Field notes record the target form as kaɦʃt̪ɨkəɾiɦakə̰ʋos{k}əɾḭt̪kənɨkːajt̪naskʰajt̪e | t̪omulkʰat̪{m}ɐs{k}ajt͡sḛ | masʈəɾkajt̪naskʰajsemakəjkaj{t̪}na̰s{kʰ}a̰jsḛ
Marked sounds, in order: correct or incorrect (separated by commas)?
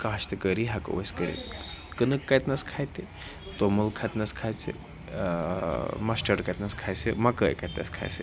correct, incorrect, incorrect, correct, correct